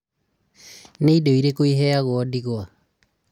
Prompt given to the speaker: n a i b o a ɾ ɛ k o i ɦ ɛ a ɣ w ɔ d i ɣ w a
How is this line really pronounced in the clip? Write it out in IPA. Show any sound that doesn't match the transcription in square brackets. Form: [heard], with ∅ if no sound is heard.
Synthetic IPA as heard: n [e] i [d] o [i] ɾ [e] k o i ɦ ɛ a ɣ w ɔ d i ɣ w a